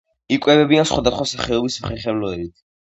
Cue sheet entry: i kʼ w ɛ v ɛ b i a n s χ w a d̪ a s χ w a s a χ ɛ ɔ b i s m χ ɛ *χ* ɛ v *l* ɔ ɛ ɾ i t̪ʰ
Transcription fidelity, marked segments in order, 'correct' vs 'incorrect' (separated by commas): correct, correct